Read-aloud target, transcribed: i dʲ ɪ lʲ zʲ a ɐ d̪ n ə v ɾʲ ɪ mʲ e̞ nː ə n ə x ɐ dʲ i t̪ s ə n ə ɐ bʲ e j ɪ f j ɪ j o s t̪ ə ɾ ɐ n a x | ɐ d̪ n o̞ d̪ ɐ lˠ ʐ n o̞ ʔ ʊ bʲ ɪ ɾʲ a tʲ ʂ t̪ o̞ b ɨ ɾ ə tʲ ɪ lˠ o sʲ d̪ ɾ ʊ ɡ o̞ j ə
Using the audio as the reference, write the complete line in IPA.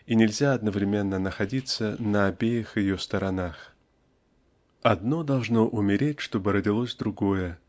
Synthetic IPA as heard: i nʲ ɪ lʲ zʲ a ɐ d̪ n ə v ɾʲ ɪ mʲ e̞ nː ə n ə x ɐ dʲ i t̪ s ə n ə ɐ bʲ e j ɪ x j ɪ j o s t̪ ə ɾ ɐ n a x | ɐ d̪ n o̞ d̪ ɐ lˠ ʐ n o̞ ʔ ʊ mʲ ɪ ɾʲ e tʲ ʂ t̪ o̞ b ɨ ɾ ə dʲ ɪ lˠ o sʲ d̪ ɾ ʊ ɡ o̞ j ə